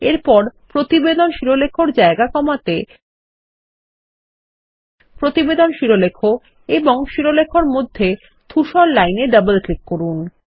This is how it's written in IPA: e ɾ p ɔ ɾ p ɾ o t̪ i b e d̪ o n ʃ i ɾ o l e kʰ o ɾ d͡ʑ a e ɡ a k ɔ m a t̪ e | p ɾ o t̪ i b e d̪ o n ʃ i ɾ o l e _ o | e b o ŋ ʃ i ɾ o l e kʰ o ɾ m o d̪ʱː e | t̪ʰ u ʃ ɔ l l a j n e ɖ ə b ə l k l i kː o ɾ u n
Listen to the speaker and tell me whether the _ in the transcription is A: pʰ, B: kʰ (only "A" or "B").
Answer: B